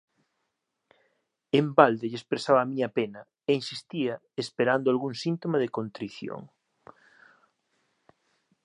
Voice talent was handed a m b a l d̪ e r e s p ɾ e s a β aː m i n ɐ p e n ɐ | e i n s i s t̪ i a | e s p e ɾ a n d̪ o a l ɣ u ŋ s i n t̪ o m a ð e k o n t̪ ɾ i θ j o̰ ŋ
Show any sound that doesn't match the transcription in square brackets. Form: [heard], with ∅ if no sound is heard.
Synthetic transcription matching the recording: [e] m b a l d̪ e [ʎ] e s p ɾ e s a β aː m i [ɲ] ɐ p e n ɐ | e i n s i s t̪ i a | e s p e ɾ a n d̪ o a l ɣ u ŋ s i n t̪ o m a ð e k o n t̪ ɾ i θ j o̰ ŋ